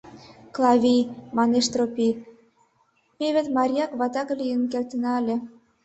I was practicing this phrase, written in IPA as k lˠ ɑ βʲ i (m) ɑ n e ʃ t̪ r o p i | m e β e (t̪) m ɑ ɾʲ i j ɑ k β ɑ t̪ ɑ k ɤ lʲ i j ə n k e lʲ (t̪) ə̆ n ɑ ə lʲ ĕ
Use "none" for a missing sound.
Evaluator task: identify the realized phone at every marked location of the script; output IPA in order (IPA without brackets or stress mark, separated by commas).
m, t̪, t̪